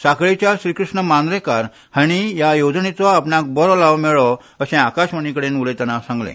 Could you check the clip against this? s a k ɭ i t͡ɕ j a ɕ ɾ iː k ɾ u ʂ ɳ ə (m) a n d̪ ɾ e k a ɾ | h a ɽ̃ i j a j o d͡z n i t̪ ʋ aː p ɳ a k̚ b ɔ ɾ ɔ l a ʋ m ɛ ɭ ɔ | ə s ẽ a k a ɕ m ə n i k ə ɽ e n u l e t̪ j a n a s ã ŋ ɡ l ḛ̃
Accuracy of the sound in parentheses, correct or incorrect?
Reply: correct